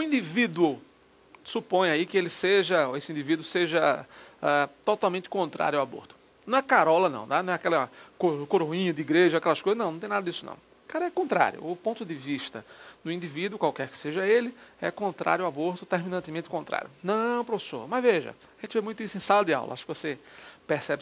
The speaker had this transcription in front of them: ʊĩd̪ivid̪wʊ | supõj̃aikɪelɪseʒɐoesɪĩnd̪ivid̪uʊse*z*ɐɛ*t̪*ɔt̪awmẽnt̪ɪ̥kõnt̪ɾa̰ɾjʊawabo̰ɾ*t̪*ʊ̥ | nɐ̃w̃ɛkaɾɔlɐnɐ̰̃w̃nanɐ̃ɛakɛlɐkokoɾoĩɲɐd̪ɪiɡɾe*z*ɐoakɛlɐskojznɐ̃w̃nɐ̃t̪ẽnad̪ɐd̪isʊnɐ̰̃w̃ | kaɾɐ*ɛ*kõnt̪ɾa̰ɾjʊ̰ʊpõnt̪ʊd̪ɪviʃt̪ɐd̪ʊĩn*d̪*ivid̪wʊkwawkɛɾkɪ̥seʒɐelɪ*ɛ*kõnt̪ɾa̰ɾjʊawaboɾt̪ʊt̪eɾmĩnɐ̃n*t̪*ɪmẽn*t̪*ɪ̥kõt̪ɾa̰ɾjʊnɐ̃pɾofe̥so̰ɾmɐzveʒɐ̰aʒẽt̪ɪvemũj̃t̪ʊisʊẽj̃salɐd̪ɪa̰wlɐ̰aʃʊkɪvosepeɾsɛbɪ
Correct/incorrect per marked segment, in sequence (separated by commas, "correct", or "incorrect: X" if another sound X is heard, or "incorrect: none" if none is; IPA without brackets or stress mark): incorrect: ʒ, correct, correct, incorrect: ʒ, correct, correct, correct, correct, correct